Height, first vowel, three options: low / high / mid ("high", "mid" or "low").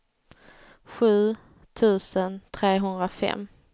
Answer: high